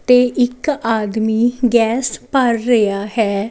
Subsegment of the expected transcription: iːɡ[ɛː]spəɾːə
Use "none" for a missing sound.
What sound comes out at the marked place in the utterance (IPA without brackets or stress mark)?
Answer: ɛː